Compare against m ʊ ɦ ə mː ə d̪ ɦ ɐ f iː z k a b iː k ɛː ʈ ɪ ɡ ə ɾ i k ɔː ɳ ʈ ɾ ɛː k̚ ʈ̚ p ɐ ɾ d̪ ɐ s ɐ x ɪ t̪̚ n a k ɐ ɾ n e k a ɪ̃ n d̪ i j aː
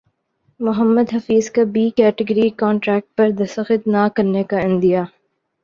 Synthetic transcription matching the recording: m ʊ ɦ ə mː ə d̪ ɦ ɐ f iː z k a b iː k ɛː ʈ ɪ ɡ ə ɾ i k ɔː ɳ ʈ ɾ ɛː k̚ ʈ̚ p ɐ ɾ d̪ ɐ s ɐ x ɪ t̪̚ n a k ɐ ɾ n e k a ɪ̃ n d̪ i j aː